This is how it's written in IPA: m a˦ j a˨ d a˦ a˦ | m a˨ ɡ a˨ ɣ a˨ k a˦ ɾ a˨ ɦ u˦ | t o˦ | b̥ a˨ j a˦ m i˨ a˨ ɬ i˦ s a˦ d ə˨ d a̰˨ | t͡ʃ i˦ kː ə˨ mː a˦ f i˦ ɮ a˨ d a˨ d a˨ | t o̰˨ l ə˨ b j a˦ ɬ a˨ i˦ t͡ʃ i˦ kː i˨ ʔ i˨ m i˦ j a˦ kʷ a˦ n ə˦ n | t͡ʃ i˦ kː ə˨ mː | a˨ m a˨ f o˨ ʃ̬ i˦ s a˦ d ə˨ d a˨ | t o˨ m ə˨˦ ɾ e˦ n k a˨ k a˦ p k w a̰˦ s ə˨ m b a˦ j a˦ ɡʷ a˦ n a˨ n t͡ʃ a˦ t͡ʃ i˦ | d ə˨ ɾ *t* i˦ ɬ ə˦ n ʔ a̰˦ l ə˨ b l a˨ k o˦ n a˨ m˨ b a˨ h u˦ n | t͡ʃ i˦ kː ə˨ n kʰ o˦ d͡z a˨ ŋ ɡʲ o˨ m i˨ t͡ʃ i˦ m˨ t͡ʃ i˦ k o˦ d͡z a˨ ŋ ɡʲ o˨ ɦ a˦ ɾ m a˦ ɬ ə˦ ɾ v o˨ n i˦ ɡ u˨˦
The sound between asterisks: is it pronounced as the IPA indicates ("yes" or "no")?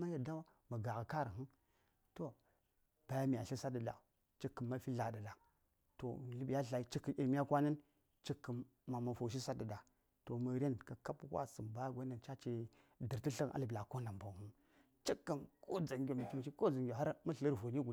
yes